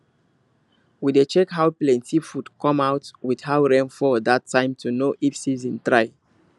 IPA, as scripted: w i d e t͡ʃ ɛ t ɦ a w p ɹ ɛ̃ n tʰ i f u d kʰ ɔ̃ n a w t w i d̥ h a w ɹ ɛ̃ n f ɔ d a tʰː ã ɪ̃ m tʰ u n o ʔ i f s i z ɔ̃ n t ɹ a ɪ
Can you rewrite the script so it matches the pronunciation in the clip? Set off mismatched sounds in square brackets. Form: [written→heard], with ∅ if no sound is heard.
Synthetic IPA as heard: w i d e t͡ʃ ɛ [t→k] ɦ a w p [ɹ→l] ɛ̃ n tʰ i f u d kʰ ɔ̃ [n→m] a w t w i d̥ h a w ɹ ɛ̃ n f ɔ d a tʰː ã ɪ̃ m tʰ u n o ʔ i f s i z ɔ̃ n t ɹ a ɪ